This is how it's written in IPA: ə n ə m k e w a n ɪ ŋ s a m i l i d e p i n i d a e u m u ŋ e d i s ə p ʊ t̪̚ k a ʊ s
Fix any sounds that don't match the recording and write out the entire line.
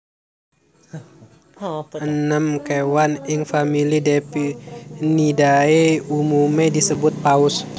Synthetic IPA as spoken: ə n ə m k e w a n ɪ ŋ f a m i l i d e p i n i d a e u m u m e d i s ə b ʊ t̪̚ p a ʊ s